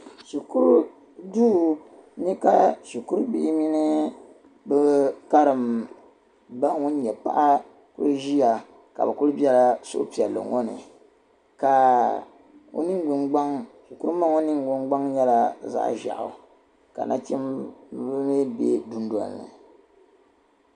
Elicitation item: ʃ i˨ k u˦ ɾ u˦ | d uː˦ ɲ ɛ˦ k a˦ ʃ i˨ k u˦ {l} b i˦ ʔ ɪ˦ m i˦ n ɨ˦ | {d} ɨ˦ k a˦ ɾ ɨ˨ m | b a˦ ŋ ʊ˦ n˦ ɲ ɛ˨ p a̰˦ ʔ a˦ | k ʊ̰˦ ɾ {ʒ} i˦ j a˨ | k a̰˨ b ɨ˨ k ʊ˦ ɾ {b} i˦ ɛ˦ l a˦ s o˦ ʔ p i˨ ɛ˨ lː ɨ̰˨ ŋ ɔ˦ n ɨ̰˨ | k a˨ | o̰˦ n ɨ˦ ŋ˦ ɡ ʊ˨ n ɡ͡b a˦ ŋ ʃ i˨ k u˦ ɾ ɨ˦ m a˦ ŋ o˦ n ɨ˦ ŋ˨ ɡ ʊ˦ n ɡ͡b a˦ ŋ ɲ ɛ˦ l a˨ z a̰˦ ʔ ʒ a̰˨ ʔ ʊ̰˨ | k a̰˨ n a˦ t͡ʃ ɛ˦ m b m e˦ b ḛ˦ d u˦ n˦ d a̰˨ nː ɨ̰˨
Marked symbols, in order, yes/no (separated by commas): no, no, yes, yes